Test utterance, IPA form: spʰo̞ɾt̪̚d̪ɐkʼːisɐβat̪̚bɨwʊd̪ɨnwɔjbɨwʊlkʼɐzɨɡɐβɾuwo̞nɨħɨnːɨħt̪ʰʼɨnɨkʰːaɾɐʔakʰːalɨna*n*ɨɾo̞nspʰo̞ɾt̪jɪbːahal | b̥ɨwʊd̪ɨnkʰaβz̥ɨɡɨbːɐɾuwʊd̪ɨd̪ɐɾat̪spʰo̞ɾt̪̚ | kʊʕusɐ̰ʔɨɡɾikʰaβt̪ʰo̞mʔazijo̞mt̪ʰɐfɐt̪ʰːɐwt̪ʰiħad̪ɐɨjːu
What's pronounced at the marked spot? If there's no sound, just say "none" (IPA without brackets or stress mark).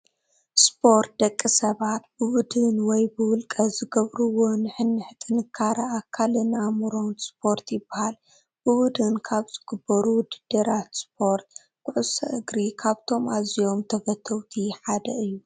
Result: m